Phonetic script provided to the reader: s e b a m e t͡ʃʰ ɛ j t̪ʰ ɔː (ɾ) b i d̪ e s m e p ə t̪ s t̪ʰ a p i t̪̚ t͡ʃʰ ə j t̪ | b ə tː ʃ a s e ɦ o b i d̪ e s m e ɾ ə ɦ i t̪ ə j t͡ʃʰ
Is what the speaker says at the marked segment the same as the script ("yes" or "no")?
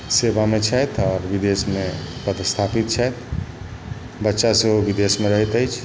yes